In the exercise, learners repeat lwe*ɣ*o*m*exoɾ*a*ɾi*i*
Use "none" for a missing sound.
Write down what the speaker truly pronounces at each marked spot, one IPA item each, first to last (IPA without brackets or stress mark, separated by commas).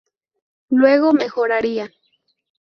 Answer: ɣ, m, a, a